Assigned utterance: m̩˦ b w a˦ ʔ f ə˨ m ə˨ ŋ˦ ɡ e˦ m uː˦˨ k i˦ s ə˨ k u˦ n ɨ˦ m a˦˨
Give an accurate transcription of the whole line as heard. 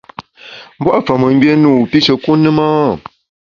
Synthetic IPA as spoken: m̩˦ b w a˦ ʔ f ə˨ m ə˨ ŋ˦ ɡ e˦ n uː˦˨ p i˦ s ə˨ k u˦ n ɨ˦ m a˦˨